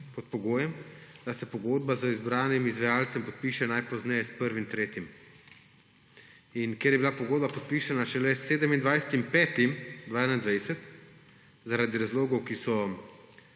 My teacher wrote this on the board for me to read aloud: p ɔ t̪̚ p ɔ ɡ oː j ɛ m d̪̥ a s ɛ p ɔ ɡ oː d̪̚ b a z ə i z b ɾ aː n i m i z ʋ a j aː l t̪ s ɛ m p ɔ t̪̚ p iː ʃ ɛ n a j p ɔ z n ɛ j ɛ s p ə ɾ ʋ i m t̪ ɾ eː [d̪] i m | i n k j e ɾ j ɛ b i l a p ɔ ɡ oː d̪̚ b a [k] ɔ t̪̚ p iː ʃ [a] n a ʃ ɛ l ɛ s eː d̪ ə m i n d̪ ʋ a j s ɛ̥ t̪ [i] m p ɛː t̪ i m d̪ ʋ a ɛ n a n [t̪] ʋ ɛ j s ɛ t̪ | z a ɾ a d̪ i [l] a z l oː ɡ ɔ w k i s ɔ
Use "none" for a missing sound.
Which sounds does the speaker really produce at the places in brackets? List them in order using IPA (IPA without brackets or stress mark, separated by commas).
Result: t̪, p, a, i, d̪, ɾ